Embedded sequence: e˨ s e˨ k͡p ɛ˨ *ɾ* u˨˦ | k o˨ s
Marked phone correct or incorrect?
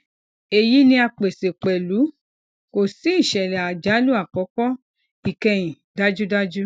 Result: incorrect